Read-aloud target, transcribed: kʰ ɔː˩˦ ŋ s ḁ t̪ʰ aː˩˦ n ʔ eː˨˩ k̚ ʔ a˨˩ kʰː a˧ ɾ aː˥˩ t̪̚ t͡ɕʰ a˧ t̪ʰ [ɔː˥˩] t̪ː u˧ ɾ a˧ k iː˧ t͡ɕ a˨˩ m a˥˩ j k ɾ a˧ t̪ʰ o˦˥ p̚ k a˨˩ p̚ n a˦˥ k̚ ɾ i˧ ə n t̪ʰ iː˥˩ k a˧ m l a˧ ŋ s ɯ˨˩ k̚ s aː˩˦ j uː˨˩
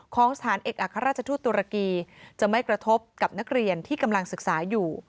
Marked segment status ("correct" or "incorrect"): incorrect